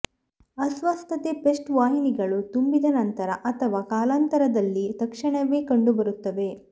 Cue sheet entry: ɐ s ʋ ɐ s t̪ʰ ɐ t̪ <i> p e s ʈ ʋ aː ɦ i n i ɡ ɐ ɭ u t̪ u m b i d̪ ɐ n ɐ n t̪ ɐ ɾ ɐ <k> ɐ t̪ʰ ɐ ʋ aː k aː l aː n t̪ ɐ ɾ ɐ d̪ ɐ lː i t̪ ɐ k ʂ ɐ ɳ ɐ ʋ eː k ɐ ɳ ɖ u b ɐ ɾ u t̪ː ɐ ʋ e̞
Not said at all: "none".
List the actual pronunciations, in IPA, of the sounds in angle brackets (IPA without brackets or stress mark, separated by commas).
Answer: e, ʔ